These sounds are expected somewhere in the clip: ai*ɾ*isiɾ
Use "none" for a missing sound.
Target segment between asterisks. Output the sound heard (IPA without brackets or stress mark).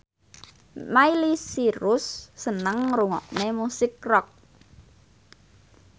l